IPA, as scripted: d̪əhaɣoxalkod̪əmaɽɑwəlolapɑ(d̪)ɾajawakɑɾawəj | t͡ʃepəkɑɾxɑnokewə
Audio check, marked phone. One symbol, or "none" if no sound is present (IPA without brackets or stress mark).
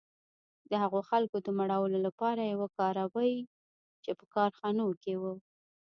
none